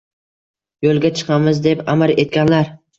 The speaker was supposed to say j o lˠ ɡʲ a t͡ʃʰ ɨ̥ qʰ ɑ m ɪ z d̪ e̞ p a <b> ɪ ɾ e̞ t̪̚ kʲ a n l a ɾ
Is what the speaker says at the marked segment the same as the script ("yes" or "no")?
no